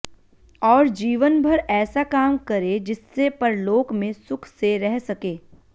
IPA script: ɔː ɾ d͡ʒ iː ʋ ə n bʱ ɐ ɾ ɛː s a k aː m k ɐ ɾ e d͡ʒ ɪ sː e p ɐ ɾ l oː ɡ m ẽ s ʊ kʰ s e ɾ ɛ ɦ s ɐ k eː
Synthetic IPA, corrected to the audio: ɔː ɾ d͡ʒ iː ʋ ə n bʱ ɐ ɾ ɛː s a k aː m k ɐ ɾ e d͡ʒ ɪ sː e p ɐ ɾ l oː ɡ m ẽ s ʊ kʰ s e ɾ ɛ ɦ s ɐ k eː